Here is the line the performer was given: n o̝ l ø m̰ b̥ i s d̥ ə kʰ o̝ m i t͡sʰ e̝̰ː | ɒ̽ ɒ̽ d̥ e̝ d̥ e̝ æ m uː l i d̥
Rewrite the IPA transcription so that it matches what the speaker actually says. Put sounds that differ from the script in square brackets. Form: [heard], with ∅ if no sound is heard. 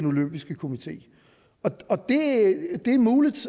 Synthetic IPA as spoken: n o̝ l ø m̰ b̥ i s [ɡ̥] ə kʰ o̝ m i t͡sʰ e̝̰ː | ɒ̽ ɒ̽ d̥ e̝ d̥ e̝ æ m uː l i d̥

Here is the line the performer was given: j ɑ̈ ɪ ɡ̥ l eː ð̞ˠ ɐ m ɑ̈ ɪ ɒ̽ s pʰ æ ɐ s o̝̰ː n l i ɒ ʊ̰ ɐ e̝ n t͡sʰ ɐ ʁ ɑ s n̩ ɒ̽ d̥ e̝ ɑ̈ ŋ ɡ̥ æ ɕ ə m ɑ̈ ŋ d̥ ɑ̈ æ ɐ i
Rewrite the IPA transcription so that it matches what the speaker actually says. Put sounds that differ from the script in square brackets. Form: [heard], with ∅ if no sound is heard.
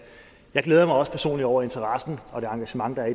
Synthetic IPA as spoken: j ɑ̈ ɪ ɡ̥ l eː ð̞ˠ ɐ m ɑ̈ ɪ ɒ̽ s pʰ æ ɐ s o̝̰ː n l i ɒ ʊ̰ ɐ e̝ n t͡sʰ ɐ ʁ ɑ s n̩ ɒ̽ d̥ e̝ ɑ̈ ŋ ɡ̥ æ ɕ ə m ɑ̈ ŋ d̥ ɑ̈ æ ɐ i

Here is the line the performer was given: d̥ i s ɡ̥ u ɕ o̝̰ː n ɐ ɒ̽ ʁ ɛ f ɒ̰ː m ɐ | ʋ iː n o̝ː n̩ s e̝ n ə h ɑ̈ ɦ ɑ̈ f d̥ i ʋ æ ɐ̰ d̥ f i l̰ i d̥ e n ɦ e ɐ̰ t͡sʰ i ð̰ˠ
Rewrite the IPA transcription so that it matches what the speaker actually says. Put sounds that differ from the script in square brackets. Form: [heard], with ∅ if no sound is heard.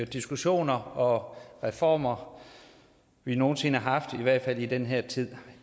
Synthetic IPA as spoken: d̥ i s ɡ̥ u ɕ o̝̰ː n ɐ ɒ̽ ʁ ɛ f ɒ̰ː m ɐ | ʋ [i] n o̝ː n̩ s e̝ n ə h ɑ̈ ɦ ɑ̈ f d̥ i ʋ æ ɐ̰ d̥ f [æ] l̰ i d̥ e n ɦ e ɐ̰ t͡sʰ i ð̰ˠ

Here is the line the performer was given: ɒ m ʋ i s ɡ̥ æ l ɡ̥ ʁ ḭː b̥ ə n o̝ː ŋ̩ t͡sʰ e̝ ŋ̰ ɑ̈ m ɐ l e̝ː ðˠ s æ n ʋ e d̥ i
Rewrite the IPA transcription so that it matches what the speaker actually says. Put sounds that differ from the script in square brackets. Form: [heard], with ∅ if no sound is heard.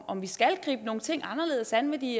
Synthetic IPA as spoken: ɒ m ʋ i s ɡ̥ æ l ɡ̥ ʁ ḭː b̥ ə n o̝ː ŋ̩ t͡sʰ e̝ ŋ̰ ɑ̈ [n] ɐ l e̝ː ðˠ s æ n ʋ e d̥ i

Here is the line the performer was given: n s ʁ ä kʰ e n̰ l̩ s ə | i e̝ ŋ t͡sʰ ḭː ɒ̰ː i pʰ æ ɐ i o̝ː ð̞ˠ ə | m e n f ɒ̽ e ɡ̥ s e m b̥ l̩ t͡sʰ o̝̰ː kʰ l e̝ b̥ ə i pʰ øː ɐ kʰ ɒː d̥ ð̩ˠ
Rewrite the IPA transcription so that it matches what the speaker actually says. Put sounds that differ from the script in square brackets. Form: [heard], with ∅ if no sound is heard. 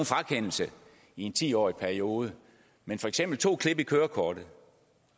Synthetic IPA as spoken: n [f] ʁ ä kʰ e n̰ l̩ s ə | i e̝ [n] t͡sʰ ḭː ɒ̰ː i pʰ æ ɐ i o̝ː ð̞ˠ ə | m e n f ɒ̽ e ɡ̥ s e m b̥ l̩ t͡sʰ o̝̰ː kʰ l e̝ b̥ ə i [kʰ] øː ɐ kʰ ɒː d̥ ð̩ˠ

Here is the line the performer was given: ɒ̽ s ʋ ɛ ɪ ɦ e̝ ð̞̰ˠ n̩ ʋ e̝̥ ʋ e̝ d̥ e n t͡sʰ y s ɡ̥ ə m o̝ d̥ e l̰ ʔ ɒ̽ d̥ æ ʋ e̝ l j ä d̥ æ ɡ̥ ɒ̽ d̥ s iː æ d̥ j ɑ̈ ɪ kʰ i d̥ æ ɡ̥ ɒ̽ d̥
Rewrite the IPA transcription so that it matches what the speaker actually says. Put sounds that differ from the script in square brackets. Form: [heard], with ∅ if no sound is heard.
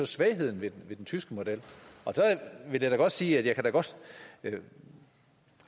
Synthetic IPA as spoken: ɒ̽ s ʋ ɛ ɪ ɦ e̝ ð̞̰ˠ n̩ ʋ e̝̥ ʋ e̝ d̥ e n t͡sʰ y s ɡ̥ ə m o̝ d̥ e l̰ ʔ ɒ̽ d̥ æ ʋ e̝ l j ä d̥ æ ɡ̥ ɒ̽ d̥ s iː æ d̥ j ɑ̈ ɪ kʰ [æ] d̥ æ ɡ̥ ɒ̽ d̥

